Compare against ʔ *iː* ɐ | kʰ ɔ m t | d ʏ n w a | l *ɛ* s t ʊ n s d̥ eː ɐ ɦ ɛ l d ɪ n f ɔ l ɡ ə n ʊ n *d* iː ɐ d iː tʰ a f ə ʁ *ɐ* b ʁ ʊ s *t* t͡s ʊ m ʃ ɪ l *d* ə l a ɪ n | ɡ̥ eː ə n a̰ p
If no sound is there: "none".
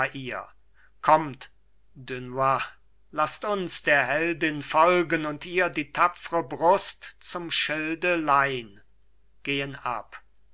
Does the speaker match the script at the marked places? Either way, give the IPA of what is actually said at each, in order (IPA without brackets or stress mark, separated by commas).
iː, a, t, ə, t, d